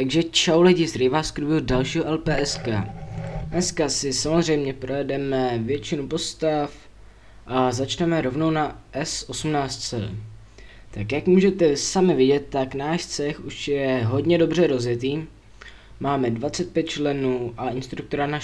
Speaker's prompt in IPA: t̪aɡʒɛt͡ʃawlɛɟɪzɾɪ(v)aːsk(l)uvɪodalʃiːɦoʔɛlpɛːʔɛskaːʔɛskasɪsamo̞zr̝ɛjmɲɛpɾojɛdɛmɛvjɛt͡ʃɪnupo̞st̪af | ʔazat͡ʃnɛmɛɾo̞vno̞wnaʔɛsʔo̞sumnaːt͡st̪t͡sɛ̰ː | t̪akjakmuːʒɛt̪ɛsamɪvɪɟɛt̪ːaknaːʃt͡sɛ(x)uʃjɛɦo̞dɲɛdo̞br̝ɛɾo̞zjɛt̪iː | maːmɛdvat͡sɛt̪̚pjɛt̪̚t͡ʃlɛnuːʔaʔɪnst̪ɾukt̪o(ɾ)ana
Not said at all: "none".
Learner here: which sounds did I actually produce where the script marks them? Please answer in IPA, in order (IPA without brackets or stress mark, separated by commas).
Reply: v, ɾ, x, ɾ